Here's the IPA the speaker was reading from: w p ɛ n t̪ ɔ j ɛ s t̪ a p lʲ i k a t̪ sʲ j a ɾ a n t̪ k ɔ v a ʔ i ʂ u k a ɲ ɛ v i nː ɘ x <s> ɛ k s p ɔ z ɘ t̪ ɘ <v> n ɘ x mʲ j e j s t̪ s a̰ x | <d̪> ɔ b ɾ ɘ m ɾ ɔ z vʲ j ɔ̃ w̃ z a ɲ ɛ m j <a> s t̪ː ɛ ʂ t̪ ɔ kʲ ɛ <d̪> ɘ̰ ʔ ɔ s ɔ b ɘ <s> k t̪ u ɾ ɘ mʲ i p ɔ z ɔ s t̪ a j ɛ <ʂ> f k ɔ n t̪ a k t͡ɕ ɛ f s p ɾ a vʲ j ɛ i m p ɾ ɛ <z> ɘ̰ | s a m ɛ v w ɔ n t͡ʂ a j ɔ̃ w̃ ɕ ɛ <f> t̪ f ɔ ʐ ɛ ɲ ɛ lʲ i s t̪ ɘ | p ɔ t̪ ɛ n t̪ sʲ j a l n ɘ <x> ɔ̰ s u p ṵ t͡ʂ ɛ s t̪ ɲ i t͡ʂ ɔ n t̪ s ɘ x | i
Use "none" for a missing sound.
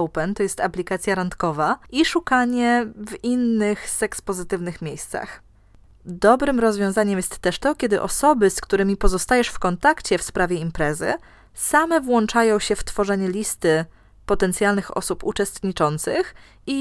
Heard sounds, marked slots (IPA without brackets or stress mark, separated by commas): s, v, d̪, ɛ, d̪, s, ʂ, z, f, x